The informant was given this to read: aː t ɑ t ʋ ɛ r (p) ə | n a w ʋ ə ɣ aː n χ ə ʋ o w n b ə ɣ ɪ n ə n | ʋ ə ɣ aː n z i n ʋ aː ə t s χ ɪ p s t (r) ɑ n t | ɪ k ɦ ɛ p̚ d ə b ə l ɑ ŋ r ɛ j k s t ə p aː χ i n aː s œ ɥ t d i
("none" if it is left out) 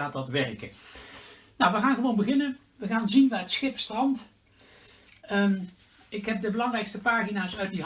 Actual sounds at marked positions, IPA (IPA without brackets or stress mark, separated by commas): k, r